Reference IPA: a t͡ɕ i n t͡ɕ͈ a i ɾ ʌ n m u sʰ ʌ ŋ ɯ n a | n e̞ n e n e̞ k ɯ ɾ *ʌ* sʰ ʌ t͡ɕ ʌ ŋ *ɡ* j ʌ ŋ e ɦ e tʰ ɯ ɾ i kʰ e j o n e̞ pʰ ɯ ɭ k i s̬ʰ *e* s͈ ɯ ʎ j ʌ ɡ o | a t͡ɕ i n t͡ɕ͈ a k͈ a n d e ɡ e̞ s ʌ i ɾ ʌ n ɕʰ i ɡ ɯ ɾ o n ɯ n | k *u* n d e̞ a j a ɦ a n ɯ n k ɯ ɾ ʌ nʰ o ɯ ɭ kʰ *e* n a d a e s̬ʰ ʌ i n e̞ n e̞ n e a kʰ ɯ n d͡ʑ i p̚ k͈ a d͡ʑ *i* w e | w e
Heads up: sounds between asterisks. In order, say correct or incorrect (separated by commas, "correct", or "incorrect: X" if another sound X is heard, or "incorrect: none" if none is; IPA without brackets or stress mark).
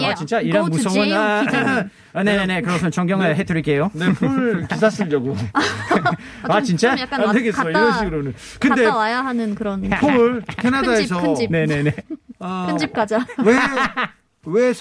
correct, correct, incorrect: a, incorrect: ɯ, correct, incorrect: a